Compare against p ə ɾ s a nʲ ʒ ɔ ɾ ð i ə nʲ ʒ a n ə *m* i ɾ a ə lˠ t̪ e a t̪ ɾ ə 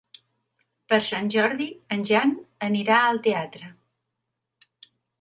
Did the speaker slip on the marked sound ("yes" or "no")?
yes